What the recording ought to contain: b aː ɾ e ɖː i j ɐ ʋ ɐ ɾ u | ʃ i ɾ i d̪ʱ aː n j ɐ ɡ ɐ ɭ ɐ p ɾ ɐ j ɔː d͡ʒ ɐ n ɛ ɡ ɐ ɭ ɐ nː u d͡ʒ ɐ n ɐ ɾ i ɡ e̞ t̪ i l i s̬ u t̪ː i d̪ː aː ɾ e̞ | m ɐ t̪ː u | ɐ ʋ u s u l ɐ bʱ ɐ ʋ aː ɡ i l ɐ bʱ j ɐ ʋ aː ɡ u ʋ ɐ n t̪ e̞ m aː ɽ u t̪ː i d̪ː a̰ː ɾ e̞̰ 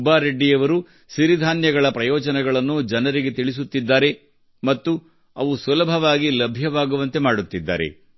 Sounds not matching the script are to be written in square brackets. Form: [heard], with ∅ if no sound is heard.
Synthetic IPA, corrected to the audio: b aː ɾ e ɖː i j ɐ ʋ ɐ ɾ u | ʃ i ɾ i d̪ʱ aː n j ɐ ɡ ɐ ɭ ɐ p ɾ ɐ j ɔː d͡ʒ ɐ n ɛ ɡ ɐ ɭ ɐ nː u d͡ʒ ɐ n ɐ ɾ i ɡ e̞ t̪ i [ɭ] i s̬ u t̪ː i d̪ː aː ɾ e̞ | m ɐ t̪ː u | ɐ ʋ u s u l ɐ bʱ ɐ ʋ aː ɡ i l ɐ bʱ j ɐ ʋ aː ɡ u ʋ ɐ n t̪ e̞ m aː ɽ u t̪ː i d̪ː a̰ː ɾ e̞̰